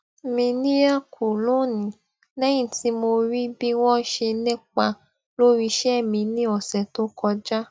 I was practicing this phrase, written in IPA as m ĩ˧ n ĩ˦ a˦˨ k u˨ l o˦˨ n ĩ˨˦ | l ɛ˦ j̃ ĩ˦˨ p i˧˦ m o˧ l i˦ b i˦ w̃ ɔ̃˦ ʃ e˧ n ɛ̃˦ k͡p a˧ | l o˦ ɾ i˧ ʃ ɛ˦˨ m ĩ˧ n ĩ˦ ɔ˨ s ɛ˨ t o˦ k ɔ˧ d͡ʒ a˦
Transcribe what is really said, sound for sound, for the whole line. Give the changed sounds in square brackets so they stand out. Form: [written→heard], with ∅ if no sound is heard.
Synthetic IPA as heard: m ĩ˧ n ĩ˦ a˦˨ k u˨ l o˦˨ n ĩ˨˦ | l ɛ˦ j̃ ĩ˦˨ [p→t] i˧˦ m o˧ [l→ɾ] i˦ b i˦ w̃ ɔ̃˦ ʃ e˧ n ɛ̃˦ k͡p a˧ | l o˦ ɾ i˧ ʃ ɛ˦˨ m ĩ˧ n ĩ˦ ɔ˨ s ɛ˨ t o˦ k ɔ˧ d͡ʒ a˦